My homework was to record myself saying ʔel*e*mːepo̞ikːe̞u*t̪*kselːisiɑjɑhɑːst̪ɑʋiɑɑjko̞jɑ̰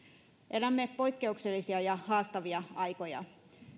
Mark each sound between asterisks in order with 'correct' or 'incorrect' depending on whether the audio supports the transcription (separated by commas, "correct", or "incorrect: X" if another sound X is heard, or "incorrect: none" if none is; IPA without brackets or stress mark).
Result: incorrect: æ, incorrect: none